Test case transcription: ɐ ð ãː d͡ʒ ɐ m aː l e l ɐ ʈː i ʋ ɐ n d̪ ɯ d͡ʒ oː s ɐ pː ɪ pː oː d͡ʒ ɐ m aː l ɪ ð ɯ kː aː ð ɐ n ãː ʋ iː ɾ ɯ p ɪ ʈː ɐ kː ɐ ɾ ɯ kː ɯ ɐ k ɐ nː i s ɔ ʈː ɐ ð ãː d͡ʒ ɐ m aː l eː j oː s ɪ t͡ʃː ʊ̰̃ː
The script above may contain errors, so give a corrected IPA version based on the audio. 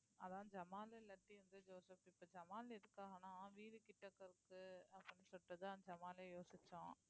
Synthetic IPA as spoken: ɐ ð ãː d͡ʒ ɐ m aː l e l ɐ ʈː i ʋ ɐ n d̪ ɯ d͡ʒ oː s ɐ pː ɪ pː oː d͡ʒ ɐ m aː l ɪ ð ɯ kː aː ɣ ɐ n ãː ʋ iː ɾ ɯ k ɪ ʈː ɐ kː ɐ ɾ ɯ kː ɯ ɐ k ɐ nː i s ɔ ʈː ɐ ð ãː d͡ʒ ɐ m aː l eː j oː s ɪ t͡ʃː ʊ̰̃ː